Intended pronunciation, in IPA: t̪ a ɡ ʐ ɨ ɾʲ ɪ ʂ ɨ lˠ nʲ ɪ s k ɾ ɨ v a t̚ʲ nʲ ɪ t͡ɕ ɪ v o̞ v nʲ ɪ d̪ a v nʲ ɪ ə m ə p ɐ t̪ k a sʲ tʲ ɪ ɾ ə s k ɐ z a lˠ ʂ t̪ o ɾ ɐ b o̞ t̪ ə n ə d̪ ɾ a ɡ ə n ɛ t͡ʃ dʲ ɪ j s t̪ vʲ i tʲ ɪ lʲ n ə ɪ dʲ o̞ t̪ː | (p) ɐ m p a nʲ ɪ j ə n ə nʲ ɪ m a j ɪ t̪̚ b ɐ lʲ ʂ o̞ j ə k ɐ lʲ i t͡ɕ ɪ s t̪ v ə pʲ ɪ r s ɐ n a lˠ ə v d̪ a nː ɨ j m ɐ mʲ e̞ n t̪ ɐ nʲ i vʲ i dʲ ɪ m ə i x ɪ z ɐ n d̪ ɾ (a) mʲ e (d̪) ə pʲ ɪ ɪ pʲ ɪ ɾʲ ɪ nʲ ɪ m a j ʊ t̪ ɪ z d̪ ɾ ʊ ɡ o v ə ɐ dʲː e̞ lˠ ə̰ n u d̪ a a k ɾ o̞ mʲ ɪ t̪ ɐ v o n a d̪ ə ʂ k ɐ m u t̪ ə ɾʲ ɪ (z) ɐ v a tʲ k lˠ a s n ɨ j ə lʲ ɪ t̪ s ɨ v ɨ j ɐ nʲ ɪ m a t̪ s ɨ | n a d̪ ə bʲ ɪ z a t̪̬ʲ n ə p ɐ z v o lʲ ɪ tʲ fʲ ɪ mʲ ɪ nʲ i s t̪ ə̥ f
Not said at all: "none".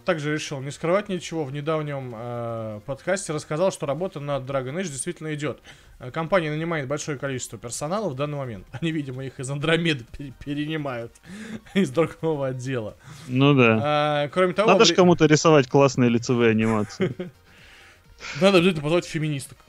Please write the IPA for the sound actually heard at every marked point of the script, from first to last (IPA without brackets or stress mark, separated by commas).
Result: k, ɐ, d̪, s